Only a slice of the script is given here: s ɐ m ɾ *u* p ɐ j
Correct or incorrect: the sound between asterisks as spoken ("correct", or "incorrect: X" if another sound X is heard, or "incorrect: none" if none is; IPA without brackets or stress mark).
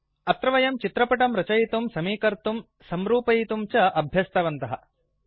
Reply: incorrect: uː